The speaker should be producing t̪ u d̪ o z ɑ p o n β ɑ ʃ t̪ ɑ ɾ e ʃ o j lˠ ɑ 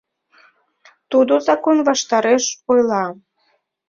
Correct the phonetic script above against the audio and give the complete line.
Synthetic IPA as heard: t̪ u d̪ o z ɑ k o n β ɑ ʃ t̪ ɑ ɾ e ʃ o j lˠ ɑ